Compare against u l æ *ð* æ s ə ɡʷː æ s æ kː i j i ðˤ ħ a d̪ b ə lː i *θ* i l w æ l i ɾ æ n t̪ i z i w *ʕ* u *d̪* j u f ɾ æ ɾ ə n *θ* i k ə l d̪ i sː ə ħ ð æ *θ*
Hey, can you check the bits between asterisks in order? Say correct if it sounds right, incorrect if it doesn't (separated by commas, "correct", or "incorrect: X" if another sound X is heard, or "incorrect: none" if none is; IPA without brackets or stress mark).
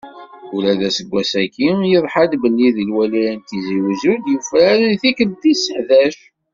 correct, incorrect: ð, incorrect: z, correct, correct, incorrect: ʃ